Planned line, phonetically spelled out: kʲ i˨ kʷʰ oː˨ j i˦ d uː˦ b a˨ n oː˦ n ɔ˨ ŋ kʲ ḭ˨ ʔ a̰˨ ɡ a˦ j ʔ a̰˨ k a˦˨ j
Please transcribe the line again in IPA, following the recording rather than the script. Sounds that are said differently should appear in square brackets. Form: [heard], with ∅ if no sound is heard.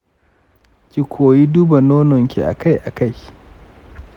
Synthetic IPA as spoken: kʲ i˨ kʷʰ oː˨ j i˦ d uː˦ b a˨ n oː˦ n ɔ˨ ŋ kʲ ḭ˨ ʔ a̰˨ [k] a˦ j ʔ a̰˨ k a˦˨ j